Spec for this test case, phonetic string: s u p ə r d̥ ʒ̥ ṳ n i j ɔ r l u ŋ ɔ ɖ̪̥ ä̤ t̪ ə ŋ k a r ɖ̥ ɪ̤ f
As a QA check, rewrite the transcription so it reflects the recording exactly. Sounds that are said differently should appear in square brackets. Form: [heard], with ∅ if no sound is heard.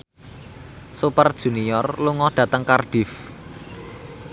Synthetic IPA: s u p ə r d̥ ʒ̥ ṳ n i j ɔ r l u ŋ ɔ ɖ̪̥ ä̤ t̪ ə ŋ k a r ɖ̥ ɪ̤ f